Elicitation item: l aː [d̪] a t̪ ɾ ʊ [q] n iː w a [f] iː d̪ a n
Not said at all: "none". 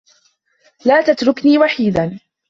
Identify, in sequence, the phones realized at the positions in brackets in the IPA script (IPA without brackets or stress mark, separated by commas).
t̪, k, ħ